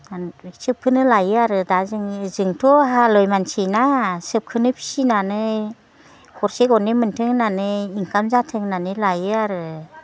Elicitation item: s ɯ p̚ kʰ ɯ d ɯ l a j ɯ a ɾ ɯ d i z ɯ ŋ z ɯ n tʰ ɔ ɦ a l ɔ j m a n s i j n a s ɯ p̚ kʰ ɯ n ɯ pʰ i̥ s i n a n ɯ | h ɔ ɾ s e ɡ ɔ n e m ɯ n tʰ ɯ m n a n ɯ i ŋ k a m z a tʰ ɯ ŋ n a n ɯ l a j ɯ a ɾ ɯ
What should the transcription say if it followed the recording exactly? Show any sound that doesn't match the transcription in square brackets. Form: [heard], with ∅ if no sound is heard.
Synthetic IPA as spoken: s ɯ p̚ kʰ ɯ [n] ɯ l a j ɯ a ɾ ɯ d [a] z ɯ ŋ z ɯ [ŋ] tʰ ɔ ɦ a l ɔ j m a n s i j n a s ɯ p̚ kʰ ɯ n ɯ pʰ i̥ s i n a n ɯ | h ɔ ɾ s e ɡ ɔ n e m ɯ n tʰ ɯ [ŋ] n a n ɯ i ŋ k a m z a tʰ ɯ ŋ n a n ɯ l a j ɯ a ɾ ɯ